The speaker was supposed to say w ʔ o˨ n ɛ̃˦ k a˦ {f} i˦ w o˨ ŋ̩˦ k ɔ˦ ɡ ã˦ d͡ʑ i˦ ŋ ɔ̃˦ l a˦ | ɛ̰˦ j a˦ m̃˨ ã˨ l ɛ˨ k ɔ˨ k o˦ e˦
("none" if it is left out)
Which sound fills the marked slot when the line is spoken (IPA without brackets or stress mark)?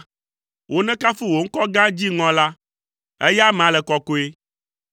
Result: f